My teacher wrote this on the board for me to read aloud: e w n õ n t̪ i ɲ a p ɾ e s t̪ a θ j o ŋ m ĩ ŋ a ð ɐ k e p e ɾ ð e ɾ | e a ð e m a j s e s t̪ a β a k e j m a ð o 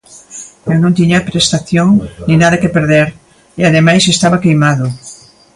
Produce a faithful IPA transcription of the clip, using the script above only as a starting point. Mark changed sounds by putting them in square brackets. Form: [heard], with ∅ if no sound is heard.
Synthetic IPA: e w n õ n t̪ i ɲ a p ɾ e s t̪ a θ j o ŋ [n] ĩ [n] a ð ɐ k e p e ɾ ð e ɾ | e a ð e m a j s e s t̪ a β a k e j m a ð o